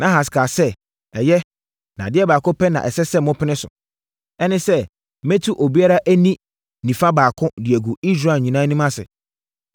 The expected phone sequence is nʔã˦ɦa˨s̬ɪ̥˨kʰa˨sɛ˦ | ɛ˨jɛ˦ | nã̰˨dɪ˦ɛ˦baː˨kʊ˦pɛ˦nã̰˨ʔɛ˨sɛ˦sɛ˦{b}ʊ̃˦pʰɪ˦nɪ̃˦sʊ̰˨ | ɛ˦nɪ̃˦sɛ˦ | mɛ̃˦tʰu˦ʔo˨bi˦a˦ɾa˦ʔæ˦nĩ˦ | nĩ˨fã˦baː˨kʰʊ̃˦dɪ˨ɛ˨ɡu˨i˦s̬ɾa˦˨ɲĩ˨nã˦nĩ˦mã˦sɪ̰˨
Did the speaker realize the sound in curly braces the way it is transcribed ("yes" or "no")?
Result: no